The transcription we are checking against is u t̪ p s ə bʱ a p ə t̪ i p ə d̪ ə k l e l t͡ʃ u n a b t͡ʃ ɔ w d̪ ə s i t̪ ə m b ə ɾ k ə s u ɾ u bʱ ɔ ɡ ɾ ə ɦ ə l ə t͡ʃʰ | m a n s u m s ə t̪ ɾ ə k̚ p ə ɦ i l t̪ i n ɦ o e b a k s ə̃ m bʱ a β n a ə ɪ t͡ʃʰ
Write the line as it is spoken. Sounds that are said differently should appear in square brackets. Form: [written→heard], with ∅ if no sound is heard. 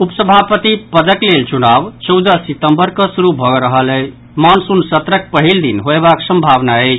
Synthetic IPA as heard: u [t̪→∅] p s ə bʱ a p ə t̪ i p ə d̪ ə k l e l t͡ʃ u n a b t͡ʃ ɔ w d̪ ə s i t̪ ə m b ə ɾ k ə s u ɾ u bʱ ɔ ɡ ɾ ə ɦ ə l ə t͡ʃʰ | m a n s u [m→n] s ə t̪ ɾ ə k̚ p ə ɦ i l [t̪→d̪] i n ɦ o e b a k s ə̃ m bʱ a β n a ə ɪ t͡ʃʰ